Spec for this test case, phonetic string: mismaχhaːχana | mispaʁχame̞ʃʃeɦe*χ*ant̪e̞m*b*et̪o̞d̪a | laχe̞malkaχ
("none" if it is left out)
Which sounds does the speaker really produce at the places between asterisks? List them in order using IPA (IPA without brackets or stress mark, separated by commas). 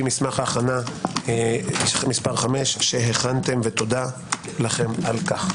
χ, v